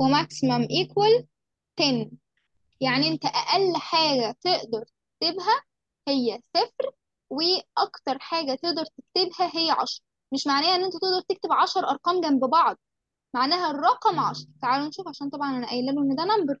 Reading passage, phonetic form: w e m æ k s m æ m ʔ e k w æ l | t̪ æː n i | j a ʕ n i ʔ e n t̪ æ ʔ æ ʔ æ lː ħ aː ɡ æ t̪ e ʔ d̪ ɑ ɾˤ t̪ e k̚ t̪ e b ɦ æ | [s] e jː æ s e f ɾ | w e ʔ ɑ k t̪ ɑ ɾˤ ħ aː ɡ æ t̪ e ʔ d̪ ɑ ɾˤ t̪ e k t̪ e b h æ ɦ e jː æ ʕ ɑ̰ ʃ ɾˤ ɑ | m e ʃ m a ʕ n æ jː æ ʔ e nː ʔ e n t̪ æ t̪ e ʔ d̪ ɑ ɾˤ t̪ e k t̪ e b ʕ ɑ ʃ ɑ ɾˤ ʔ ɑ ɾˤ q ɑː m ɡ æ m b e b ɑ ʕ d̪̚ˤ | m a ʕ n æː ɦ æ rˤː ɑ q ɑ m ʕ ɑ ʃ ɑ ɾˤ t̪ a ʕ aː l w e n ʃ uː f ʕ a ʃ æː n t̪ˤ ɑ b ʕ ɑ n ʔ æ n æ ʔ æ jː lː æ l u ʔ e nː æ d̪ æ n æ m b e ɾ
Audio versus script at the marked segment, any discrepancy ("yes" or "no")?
yes